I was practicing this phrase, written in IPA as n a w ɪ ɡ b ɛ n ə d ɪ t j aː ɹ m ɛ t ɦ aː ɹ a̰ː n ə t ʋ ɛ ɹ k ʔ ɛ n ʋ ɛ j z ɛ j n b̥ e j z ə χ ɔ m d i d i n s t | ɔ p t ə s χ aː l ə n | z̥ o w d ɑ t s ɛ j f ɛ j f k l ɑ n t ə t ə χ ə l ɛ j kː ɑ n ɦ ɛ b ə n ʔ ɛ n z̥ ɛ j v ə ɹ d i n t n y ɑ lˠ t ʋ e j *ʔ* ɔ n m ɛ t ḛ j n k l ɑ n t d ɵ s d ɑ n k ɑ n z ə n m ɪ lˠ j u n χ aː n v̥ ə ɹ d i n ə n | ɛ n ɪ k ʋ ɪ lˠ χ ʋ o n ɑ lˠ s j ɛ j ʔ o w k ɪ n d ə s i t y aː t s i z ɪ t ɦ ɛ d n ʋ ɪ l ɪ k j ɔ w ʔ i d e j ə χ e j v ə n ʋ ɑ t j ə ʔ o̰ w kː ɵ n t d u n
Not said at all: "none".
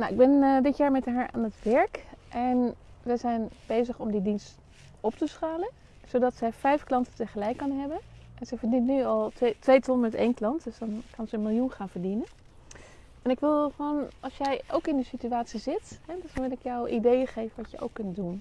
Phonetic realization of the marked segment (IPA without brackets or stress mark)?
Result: t